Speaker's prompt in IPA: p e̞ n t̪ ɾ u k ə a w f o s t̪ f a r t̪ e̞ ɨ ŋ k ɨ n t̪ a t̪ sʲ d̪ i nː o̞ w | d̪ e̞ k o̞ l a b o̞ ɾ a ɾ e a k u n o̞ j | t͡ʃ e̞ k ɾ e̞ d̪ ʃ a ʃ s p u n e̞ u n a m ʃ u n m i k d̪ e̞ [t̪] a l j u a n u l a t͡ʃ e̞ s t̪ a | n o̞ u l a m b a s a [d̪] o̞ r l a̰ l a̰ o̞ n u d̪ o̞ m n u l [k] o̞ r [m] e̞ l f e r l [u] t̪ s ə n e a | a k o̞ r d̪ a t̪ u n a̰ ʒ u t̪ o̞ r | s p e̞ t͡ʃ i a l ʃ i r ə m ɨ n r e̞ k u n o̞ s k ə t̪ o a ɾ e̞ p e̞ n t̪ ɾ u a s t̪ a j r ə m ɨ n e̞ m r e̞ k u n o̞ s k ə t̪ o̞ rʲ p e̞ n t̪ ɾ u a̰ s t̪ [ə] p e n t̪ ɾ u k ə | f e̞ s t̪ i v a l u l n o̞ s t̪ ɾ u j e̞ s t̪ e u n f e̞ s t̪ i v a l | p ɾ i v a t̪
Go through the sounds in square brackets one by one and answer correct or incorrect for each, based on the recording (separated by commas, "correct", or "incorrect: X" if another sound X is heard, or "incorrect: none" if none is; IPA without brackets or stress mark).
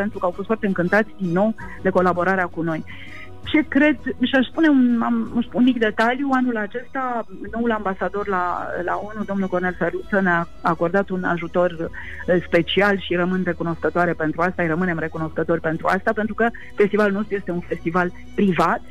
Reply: correct, correct, correct, incorrect: n, correct, incorrect: a